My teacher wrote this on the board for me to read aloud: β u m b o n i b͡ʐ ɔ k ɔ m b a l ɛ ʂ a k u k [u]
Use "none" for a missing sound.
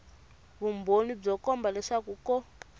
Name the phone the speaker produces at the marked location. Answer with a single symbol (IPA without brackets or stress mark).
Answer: ɔ